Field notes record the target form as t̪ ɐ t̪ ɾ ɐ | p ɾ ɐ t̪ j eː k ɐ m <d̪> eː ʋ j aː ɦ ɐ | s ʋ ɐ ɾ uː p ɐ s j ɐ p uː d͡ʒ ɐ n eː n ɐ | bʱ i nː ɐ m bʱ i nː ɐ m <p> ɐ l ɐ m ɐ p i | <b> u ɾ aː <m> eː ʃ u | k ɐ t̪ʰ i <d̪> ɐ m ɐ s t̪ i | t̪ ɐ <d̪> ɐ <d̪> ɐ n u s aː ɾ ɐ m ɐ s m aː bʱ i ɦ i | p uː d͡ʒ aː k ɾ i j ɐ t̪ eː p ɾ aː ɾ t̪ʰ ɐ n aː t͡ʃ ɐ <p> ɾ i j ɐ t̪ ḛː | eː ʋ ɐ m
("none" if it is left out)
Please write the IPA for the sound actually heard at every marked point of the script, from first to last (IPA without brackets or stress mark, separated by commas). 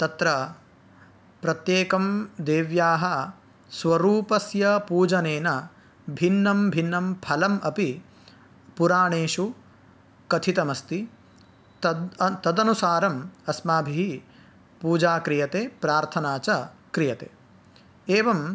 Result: d̪, pʰ, p, ɳ, t̪, t̪, d̪, k